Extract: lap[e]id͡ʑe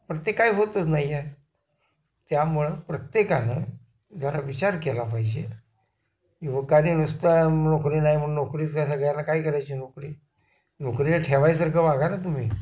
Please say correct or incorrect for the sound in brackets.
incorrect